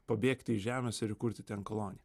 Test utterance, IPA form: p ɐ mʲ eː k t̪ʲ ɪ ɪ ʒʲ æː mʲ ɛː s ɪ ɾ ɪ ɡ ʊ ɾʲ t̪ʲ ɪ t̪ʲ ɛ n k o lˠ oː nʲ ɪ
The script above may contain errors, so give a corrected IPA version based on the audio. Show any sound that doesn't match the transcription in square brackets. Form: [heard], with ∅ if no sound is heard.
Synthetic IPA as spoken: p ɐ [bʲ] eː k t̪ʲ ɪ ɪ ʒʲ æː mʲ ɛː s ɪ ɾ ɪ [k] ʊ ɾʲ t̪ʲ ɪ t̪ʲ ɛ n k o lˠ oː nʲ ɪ